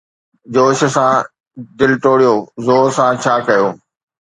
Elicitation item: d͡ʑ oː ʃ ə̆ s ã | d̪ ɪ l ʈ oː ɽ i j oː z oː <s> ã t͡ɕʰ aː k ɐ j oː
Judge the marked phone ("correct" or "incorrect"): correct